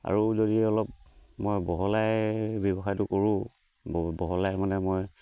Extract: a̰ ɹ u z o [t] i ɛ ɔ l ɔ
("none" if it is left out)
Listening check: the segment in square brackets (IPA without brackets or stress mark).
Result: d